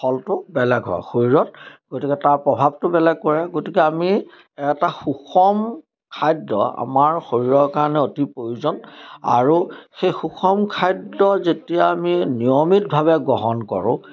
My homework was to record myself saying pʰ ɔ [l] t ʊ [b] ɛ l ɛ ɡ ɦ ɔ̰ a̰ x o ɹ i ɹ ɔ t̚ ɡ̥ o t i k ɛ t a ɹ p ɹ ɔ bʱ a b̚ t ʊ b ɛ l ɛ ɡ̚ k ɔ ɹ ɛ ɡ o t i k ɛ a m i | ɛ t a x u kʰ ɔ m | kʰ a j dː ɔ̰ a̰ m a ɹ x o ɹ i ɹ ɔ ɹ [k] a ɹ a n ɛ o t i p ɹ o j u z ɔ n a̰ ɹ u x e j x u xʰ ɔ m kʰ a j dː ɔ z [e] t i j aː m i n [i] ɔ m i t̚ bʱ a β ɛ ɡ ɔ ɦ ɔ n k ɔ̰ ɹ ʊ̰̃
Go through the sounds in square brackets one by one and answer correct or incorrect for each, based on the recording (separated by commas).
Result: correct, correct, correct, correct, correct